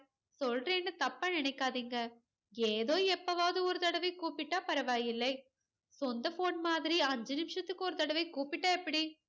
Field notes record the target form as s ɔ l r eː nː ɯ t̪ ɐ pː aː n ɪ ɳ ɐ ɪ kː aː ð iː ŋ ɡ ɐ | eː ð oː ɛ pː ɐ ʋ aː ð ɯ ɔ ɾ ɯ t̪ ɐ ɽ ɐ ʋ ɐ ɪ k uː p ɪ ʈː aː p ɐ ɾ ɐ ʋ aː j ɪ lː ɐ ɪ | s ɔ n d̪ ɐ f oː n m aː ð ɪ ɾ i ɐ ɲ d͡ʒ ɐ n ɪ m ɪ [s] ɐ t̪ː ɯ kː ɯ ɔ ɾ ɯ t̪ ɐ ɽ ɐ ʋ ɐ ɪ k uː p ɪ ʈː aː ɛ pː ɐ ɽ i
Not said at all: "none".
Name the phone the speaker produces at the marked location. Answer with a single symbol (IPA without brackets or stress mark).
ʂ